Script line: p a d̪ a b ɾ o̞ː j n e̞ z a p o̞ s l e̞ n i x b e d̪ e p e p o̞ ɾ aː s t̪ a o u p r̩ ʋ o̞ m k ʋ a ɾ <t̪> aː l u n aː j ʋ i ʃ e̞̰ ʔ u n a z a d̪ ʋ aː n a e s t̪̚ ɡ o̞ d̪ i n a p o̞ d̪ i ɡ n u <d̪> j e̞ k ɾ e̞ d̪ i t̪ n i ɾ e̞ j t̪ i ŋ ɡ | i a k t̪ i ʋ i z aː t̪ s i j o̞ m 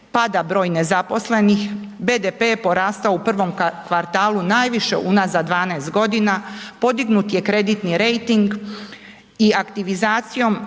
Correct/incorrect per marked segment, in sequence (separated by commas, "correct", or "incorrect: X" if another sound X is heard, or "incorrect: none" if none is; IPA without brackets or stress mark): correct, incorrect: t̪